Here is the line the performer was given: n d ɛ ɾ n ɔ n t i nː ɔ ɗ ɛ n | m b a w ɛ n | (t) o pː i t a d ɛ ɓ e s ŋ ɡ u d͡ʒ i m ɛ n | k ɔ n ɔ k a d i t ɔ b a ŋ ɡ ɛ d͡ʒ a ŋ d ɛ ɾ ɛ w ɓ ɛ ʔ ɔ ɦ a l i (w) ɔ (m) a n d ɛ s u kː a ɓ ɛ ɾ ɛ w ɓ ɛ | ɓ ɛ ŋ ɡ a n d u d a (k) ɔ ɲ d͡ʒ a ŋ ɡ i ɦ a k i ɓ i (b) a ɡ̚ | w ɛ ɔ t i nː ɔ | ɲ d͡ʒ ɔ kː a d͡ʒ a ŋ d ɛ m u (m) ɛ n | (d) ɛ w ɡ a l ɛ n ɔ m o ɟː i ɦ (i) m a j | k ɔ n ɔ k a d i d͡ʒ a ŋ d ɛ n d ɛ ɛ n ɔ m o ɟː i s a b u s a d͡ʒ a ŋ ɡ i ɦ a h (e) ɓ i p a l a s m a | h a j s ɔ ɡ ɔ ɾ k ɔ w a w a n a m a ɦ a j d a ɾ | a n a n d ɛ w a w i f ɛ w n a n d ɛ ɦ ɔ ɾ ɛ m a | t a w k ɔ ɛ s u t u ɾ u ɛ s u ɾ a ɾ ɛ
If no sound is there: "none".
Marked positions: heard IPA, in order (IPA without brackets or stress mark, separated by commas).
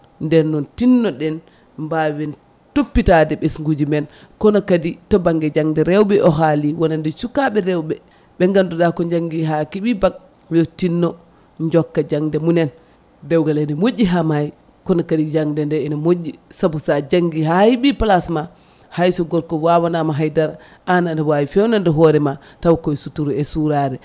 t, w, n, k, b, n, d, a, i